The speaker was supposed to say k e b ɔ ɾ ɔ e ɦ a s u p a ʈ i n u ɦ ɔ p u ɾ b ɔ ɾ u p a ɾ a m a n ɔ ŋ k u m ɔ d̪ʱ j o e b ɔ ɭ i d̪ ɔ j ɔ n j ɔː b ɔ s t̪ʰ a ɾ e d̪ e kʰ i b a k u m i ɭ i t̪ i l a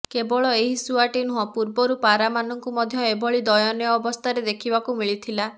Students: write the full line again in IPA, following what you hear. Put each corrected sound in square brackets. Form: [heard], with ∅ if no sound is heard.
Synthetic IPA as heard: k e b ɔ [ɭ] ɔ e ɦ [i] s u [∅] a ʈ i n u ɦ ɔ p u ɾ b ɔ ɾ u p a ɾ a m a n ɔ ŋ k u m ɔ d̪ʱ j [ɔ] e b ɔ ɭ i d̪ ɔ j ɔ n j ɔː b ɔ s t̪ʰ a ɾ e d̪ e kʰ i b a k u m i ɭ i [t̪ʰ] i l a

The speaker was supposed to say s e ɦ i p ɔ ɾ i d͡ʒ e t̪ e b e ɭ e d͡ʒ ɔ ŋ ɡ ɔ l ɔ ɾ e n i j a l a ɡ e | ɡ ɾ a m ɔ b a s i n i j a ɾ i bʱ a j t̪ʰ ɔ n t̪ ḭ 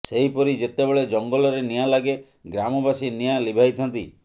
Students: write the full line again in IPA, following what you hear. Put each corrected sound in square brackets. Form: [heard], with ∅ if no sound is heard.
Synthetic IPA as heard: s e ɦ i p ɔ ɾ i d͡ʒ e t̪ e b e ɭ e d͡ʒ ɔ ŋ ɡ ɔ l ɔ ɾ e n i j a l a ɡ e | ɡ ɾ a m ɔ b a s i n i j a [l] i bʱ a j t̪ʰ ɔ n t̪ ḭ

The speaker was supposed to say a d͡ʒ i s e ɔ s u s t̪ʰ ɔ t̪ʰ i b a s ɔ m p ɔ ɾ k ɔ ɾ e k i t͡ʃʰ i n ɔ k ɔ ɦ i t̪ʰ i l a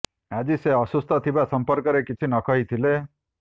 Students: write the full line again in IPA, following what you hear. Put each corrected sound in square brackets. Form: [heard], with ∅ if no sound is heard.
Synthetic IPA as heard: a d͡ʒ i s e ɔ s u s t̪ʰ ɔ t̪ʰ i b a s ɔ m p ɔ ɾ k ɔ ɾ e k i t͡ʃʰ i n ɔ k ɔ ɦ i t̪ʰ i l [e]

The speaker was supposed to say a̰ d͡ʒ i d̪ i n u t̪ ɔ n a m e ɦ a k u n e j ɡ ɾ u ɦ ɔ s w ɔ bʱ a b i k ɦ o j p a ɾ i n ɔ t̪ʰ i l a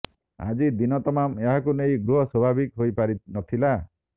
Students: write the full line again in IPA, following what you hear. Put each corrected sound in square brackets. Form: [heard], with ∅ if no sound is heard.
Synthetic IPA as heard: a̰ d͡ʒ i d̪ i n [ɔ] t̪ ɔ [m] a m e ɦ a k u n e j ɡ ɾ u ɦ ɔ s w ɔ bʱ a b i k ɦ o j p a ɾ i n ɔ t̪ʰ i l a

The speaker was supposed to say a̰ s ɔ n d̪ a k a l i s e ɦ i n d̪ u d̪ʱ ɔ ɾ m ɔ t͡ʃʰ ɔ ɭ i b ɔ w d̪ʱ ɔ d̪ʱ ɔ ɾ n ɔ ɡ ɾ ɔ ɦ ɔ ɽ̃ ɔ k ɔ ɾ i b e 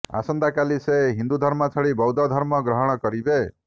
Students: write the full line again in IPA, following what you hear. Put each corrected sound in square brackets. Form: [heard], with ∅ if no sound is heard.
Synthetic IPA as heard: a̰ s ɔ n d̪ a k a l i s e ɦ i n d̪ u d̪ʱ ɔ ɾ m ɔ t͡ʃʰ ɔ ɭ i b ɔ w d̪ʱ ɔ d̪ʱ ɔ ɾ [m] ɔ ɡ ɾ ɔ ɦ ɔ ɽ̃ ɔ k ɔ ɾ i b e

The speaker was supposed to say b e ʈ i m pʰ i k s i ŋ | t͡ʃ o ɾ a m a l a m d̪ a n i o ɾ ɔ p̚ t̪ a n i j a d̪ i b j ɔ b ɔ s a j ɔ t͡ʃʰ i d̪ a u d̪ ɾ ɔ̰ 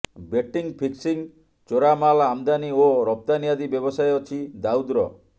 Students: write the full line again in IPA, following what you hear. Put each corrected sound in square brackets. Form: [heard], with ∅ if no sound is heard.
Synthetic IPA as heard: b e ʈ i [ŋ] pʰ i k s i ŋ | t͡ʃ o ɾ a m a l a m d̪ a n i o ɾ ɔ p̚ t̪ a n i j a d̪ i b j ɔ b ɔ s a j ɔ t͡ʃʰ i d̪ a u d̪ ɾ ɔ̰

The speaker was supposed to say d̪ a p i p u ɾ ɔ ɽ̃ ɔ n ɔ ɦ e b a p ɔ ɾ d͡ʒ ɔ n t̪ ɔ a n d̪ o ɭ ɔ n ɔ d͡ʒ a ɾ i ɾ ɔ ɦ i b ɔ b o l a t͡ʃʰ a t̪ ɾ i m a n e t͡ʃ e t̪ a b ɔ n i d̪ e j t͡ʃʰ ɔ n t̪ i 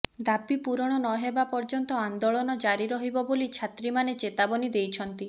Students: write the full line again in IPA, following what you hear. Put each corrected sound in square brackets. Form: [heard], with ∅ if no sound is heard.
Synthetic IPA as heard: d̪ a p i p u ɾ ɔ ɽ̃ ɔ n ɔ ɦ e b a p ɔ ɾ d͡ʒ ɔ n t̪ ɔ a n d̪ o ɭ ɔ n ɔ d͡ʒ a ɾ i ɾ ɔ ɦ i b ɔ b o l [i] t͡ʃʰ a t̪ ɾ i m a n e t͡ʃ e t̪ a b ɔ n i d̪ e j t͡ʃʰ ɔ n t̪ i

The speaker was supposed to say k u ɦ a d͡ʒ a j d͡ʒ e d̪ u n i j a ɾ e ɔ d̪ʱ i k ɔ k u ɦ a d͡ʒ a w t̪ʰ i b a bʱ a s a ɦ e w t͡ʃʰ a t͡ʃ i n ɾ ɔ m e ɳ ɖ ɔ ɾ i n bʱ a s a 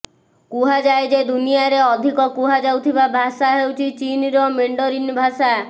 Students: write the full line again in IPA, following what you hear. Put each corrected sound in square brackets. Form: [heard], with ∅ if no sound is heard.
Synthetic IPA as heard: k u ɦ a d͡ʒ a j d͡ʒ e d̪ u n i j a ɾ e ɔ d̪ʱ i k ɔ k u ɦ a d͡ʒ a w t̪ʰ i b a bʱ a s a ɦ e w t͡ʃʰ [i] t͡ʃ i n ɾ ɔ m e ɳ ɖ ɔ ɾ i n bʱ a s a

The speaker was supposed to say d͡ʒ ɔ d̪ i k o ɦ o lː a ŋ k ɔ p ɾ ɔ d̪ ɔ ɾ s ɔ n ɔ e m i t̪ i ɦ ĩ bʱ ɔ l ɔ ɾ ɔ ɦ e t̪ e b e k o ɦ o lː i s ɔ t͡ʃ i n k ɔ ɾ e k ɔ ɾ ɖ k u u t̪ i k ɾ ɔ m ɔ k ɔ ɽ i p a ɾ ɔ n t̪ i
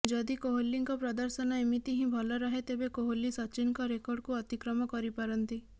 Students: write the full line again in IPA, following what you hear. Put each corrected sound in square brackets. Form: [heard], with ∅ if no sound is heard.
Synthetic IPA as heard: d͡ʒ ɔ d̪ i k o ɦ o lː [i] ŋ k ɔ p ɾ ɔ d̪ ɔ ɾ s ɔ n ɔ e m i t̪ i ɦ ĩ bʱ ɔ l ɔ ɾ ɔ ɦ e t̪ e b e k o ɦ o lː i s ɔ t͡ʃ i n k ɔ ɾ e k ɔ ɾ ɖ k u [ɔ] t̪ i k ɾ ɔ m ɔ k ɔ [ɾ] i p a ɾ ɔ n t̪ i

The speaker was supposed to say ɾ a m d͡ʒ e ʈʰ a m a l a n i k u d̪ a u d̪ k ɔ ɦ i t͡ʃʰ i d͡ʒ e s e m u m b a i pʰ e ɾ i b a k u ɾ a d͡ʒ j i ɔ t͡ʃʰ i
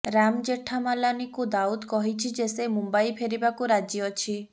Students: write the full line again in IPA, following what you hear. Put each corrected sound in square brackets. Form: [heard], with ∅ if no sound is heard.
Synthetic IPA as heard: ɾ a m d͡ʒ e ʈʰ a m a l a n i k u d̪ a u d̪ k ɔ ɦ i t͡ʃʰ i d͡ʒ e s e m u m b a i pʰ e ɾ i b a k u ɾ a d͡ʒ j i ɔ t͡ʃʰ i

